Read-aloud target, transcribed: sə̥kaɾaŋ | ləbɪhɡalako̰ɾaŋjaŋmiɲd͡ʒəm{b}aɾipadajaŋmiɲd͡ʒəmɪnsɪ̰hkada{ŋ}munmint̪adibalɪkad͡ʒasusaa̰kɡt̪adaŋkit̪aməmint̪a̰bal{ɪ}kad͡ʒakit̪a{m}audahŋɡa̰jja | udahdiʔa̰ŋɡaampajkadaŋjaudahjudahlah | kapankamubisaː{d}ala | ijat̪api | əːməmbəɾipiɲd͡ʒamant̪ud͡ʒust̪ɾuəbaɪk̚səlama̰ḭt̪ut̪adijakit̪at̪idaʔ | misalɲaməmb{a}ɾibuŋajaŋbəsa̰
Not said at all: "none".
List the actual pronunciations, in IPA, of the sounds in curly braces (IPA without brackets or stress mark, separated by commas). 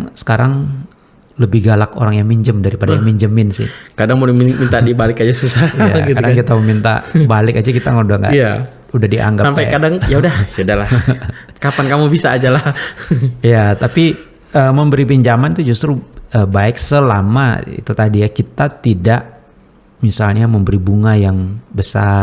d, ŋ, ɪ, ŋ, d͡ʒ, ə